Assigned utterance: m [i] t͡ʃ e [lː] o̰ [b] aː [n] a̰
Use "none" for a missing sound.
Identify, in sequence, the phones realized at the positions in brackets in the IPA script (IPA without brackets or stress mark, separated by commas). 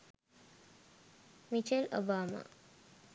i, l, b, m